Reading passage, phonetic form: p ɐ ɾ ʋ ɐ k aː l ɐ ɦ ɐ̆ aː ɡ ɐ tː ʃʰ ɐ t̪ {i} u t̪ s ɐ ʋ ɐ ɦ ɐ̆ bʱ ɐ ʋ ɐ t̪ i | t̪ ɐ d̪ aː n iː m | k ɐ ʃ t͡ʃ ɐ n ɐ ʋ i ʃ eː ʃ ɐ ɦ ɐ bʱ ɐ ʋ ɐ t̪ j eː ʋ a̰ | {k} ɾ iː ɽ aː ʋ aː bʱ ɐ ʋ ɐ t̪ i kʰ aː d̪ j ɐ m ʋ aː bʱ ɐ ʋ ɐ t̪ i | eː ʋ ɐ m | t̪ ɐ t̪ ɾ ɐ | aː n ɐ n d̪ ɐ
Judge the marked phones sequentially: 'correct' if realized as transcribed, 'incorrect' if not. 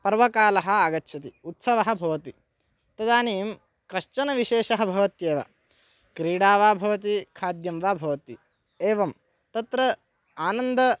correct, correct

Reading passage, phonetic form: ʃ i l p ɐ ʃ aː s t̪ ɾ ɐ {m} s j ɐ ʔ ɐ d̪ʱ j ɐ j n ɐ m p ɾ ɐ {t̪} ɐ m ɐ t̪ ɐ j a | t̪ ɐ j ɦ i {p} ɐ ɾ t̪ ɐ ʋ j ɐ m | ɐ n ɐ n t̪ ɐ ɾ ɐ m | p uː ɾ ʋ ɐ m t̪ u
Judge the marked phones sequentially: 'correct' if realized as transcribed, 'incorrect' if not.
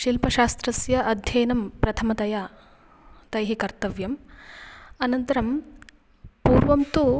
incorrect, incorrect, incorrect

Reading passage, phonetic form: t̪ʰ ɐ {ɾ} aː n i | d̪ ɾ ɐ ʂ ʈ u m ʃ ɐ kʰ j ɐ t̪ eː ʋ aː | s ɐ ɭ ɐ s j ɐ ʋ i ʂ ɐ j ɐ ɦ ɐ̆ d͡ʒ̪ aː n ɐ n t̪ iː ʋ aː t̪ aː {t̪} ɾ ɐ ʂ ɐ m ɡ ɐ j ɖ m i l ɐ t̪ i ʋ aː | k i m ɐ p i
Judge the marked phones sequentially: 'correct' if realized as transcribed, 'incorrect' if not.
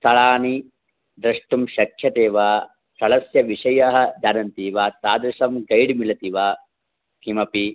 incorrect, incorrect

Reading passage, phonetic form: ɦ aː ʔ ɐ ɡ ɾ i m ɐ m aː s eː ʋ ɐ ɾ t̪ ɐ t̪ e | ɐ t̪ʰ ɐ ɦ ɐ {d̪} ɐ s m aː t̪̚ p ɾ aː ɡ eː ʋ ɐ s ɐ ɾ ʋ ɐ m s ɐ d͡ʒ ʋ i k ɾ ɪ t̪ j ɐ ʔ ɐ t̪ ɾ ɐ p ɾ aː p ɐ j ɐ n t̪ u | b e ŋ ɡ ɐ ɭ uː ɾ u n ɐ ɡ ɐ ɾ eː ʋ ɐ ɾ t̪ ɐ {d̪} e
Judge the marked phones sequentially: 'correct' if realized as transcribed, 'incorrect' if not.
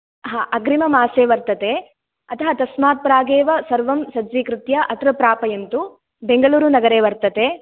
incorrect, incorrect

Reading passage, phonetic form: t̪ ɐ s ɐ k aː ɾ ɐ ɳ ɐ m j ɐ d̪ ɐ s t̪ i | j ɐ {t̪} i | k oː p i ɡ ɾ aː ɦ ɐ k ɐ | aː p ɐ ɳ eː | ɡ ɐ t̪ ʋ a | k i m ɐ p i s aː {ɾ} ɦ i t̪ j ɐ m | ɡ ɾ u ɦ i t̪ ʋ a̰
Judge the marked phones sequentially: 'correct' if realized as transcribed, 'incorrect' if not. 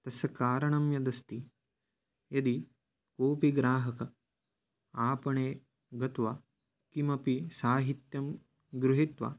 incorrect, incorrect

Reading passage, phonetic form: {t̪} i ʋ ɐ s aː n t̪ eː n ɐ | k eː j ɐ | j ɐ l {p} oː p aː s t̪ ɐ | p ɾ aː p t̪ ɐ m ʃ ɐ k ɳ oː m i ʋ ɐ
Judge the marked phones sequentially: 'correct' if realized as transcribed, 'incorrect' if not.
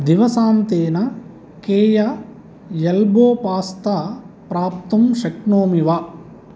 incorrect, incorrect

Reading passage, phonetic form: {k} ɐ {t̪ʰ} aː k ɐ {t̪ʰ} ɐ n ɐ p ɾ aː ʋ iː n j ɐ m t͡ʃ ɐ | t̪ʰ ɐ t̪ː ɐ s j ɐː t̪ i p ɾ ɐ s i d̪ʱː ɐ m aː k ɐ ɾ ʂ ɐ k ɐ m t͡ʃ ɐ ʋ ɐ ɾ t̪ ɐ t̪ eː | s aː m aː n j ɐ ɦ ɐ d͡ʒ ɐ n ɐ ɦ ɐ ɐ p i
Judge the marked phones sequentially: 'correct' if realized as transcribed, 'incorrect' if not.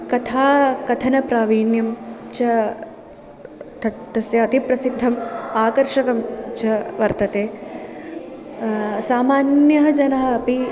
correct, correct, correct

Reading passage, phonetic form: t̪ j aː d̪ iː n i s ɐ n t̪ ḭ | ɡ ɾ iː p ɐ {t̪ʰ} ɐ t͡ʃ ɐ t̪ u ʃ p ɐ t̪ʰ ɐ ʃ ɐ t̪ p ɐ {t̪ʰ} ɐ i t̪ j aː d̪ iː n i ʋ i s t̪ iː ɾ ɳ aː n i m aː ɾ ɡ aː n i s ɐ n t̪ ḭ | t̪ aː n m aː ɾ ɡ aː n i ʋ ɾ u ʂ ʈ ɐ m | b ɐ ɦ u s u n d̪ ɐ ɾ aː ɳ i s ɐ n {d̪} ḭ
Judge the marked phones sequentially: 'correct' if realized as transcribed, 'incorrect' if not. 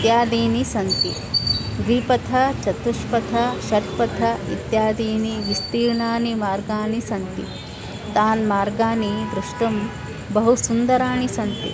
correct, correct, incorrect

